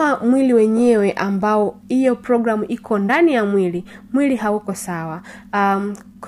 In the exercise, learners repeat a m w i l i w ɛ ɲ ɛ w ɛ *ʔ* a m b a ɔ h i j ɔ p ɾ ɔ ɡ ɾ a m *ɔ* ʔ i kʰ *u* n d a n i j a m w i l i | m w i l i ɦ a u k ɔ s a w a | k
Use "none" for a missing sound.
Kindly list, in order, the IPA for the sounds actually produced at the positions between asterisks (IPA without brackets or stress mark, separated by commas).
ʔ, u, ɔ